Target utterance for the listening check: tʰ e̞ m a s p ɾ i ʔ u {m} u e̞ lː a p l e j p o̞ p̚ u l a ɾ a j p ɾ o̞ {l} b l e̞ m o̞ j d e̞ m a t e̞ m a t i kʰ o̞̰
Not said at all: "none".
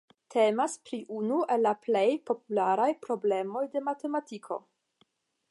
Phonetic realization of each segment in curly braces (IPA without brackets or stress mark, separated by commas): n, none